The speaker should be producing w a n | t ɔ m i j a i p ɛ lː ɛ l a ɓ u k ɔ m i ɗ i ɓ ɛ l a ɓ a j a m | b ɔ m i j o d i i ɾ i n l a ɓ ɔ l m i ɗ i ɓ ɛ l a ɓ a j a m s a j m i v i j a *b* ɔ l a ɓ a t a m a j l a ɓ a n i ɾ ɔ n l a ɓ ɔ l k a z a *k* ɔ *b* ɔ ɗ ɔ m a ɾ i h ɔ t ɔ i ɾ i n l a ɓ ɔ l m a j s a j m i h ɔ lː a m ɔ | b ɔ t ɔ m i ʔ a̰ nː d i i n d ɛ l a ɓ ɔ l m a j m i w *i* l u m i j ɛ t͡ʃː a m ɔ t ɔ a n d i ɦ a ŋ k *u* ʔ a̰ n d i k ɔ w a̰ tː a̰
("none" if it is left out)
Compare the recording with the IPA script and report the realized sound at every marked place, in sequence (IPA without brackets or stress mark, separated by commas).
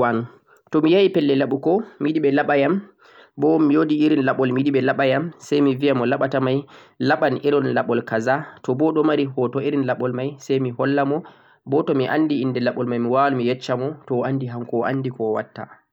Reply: m, t, b, a, ɔ